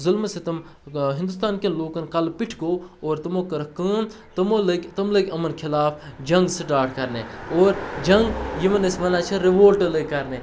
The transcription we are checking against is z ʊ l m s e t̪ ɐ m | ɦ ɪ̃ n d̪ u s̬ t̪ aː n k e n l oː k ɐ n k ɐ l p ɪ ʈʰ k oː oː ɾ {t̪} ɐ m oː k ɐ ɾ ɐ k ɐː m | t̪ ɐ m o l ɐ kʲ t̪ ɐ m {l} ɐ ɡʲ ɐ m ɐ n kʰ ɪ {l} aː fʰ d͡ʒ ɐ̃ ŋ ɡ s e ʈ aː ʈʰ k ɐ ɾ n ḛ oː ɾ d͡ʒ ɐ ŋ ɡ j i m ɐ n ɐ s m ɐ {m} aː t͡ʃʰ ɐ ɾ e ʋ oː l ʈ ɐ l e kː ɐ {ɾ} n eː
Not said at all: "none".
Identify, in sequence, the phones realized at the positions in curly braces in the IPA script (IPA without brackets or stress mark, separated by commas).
t̪, l, l, n, ɾ